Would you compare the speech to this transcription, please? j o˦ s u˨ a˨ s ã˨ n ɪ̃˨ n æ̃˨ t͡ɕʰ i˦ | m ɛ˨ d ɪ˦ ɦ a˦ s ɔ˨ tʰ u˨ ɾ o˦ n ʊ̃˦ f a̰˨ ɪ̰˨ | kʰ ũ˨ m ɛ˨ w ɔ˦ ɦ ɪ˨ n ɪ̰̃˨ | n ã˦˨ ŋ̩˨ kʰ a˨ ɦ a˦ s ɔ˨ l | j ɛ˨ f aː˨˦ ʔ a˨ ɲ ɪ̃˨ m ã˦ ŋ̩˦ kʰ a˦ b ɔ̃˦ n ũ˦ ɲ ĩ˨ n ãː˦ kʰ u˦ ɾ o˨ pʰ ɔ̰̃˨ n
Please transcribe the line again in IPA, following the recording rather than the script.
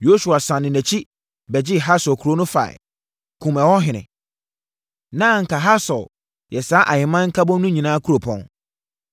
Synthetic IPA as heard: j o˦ s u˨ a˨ s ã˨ n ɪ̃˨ n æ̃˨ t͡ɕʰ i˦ | b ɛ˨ d͡ʑ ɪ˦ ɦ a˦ s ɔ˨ kʰ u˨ ɾ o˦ n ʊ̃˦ f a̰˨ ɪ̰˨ | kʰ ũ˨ m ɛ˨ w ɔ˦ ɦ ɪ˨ n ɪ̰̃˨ | n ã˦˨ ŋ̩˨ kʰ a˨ ɦ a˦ s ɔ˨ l | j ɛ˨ s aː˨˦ ʔ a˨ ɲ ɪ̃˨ m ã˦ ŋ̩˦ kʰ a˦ b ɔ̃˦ n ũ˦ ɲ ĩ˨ n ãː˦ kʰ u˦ ɾ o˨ pʰ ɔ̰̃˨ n